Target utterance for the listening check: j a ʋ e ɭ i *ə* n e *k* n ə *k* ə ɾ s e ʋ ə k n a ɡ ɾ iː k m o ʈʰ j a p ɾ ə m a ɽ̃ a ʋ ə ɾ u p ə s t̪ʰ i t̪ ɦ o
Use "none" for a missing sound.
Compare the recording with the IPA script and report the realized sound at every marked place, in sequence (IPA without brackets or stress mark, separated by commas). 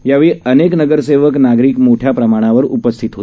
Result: ə, k, ɡ